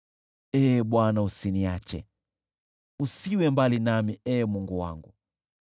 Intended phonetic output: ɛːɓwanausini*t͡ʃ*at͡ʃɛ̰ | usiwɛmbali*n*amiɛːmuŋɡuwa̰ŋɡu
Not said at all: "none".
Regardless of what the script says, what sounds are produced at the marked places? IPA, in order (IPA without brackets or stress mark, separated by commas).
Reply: none, n